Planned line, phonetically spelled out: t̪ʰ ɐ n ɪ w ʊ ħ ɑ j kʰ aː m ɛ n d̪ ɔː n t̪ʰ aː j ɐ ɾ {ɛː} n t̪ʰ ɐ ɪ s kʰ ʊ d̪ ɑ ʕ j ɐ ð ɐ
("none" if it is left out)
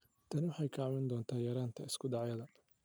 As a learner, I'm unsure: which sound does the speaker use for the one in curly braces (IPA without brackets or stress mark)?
aː